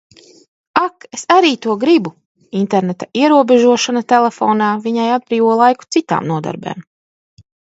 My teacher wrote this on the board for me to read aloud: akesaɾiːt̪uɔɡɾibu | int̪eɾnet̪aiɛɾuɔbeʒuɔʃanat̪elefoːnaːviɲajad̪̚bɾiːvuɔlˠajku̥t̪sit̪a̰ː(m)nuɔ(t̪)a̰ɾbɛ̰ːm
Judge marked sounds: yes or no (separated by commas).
yes, no